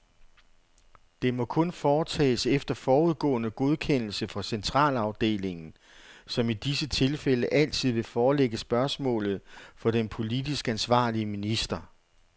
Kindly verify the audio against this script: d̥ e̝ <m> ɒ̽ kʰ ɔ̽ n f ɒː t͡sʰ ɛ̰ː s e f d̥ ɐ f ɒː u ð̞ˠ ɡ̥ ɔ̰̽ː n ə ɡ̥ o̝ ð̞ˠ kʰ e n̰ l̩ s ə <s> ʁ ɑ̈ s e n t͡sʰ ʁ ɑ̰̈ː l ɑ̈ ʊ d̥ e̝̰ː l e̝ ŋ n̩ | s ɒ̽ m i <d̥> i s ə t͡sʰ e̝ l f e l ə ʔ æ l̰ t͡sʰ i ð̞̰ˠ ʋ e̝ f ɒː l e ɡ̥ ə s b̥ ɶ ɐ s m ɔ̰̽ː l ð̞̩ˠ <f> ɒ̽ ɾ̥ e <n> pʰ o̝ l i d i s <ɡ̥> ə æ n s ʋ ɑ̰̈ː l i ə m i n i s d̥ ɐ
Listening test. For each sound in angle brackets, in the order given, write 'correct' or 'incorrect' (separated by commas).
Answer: correct, incorrect, correct, correct, correct, correct